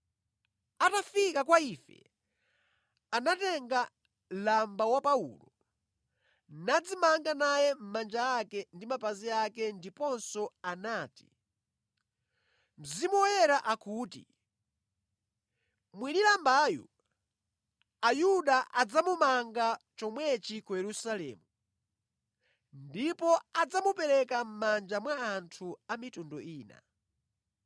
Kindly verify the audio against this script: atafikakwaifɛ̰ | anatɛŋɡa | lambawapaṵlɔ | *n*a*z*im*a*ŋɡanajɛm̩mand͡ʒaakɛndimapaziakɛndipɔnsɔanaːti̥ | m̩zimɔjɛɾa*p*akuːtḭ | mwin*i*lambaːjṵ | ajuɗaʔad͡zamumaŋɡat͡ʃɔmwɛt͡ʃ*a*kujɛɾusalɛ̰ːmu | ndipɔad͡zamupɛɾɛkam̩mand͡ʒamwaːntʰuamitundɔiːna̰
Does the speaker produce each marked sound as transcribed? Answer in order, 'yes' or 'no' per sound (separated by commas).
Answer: yes, no, yes, no, yes, no